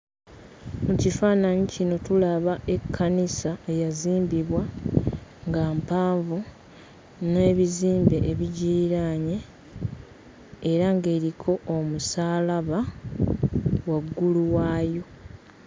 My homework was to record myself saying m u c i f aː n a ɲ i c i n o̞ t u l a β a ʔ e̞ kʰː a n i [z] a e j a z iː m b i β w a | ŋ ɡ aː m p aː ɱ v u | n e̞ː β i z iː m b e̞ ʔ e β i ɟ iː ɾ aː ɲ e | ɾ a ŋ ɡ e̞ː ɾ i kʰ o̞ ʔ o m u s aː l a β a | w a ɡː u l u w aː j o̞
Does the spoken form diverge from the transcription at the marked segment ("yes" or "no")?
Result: yes